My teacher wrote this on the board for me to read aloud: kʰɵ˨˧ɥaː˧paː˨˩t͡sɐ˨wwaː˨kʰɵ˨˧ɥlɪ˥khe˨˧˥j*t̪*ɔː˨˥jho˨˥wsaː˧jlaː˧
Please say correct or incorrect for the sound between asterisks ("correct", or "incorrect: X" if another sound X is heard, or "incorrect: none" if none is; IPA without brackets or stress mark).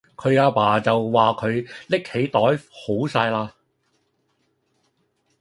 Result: correct